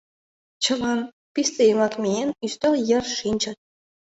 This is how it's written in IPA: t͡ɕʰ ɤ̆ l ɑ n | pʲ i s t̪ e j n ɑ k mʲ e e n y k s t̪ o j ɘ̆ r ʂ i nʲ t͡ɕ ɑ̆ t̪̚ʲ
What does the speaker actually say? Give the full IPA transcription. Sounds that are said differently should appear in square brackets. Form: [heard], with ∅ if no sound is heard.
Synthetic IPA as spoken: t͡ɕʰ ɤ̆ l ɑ n | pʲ i s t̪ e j [m] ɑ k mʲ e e n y [∅] s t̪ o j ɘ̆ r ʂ i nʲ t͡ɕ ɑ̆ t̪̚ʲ

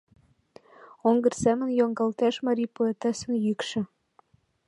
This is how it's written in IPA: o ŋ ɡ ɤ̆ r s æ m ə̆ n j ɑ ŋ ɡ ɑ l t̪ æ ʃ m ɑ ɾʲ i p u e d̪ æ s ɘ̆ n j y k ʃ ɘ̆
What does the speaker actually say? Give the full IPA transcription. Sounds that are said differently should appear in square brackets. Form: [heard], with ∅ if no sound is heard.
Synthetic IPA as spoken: o ŋ ɡ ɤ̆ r s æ m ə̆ n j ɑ ŋ ɡ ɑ l t̪ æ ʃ m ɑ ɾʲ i p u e [t̪] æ s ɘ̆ n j y k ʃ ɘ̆

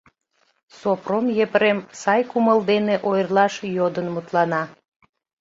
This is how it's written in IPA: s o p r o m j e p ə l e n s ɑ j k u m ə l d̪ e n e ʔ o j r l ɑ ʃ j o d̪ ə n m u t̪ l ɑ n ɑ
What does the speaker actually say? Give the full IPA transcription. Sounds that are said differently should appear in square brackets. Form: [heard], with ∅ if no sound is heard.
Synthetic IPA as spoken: s o p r o m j e p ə [ɾ] e [m] s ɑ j k u m ə l d̪ e n e ʔ o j r l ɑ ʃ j o d̪ ə n m u t̪ l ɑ n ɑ

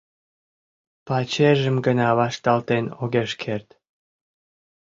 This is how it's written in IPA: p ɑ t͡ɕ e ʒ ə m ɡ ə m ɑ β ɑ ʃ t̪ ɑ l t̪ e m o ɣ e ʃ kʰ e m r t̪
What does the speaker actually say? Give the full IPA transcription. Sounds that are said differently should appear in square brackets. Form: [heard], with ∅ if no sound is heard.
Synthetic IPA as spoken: p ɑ t͡ɕ e ʒ ə m ɡ ə [n] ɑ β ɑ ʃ t̪ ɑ l t̪ e [n] o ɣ e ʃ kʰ e [∅] r t̪

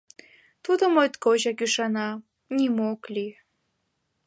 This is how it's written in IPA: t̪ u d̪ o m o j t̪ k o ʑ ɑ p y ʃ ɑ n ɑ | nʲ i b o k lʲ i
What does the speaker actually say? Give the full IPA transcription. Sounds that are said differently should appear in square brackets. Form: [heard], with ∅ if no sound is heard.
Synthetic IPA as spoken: t̪ u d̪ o m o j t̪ k o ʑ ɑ [k] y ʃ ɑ n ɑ | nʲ i [m] o k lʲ i

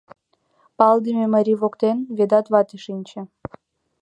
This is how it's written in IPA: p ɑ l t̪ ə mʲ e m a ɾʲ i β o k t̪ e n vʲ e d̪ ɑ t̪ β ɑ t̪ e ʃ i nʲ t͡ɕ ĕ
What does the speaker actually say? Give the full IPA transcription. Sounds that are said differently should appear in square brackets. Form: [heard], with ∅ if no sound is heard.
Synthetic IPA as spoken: p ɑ l [d̪] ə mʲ e m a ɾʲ i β o k t̪ e n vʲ e d̪ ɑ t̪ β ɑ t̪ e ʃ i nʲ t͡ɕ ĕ

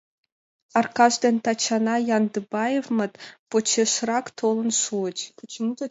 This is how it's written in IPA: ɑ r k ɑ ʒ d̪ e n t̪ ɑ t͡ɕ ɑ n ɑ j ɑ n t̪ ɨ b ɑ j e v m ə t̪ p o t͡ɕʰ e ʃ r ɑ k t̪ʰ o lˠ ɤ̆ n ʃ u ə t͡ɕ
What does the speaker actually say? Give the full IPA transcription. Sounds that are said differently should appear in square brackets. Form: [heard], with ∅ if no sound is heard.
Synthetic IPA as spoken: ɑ r k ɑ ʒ d̪ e n t̪ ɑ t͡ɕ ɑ n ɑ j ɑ n [d̪] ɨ b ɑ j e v m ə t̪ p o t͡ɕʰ e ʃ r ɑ k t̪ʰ o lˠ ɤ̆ n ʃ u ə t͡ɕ

